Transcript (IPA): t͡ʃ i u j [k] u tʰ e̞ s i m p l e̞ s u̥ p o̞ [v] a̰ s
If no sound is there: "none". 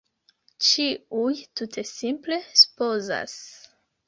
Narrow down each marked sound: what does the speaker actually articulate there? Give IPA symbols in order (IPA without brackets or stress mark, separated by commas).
t, z